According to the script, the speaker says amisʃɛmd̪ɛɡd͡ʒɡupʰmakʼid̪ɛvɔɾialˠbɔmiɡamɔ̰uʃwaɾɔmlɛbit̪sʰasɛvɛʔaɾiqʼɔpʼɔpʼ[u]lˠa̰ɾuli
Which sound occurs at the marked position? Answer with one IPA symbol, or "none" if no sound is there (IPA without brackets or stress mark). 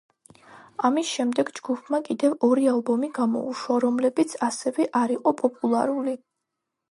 u